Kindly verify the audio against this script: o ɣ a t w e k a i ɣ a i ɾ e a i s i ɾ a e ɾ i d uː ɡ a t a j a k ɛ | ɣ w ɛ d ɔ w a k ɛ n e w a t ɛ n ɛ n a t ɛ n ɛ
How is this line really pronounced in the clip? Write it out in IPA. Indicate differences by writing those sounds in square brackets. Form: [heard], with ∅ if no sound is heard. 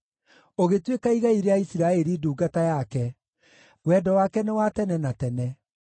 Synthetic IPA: o ɣ [e] t w e k a i ɣ a i ɾ e a i s i ɾ a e ɾ i d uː ɡ a t a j a k ɛ | ɣ w ɛ d ɔ w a k ɛ n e w a t ɛ n ɛ n a t ɛ n ɛ